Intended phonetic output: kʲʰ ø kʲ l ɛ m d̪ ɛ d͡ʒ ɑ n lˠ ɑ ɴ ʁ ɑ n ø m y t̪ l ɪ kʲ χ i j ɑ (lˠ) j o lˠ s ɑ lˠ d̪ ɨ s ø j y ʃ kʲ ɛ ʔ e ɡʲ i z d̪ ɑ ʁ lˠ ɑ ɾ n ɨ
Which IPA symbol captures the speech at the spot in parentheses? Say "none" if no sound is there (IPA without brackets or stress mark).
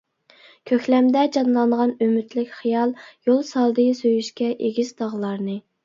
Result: lˠ